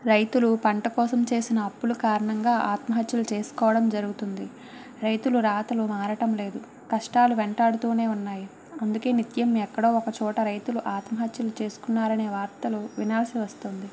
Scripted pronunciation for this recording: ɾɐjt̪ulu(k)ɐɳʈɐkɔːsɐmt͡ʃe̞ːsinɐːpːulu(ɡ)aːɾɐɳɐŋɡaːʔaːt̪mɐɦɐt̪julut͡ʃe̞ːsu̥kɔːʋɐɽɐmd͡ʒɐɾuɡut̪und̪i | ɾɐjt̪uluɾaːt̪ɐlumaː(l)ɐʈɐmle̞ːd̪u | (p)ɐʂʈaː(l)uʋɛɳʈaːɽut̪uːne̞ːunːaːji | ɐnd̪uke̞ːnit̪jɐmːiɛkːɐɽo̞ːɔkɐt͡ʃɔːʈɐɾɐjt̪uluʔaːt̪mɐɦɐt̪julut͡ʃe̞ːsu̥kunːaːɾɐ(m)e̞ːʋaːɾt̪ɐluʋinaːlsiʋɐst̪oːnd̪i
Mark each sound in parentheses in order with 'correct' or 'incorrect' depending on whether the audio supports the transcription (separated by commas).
incorrect, incorrect, incorrect, incorrect, correct, incorrect